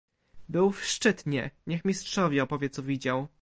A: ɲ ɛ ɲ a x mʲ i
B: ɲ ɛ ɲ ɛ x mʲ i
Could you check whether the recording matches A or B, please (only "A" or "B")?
B